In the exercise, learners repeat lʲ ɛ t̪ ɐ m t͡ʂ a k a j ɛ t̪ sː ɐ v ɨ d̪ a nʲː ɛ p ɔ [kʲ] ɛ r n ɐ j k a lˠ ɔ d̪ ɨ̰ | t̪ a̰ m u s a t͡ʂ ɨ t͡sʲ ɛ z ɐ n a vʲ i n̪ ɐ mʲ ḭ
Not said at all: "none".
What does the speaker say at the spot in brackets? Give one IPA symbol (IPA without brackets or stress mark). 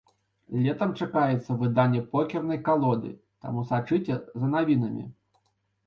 kʲ